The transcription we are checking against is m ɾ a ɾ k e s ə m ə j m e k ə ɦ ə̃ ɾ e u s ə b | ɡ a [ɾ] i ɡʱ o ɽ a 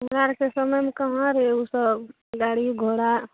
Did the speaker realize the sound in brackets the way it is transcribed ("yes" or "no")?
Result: no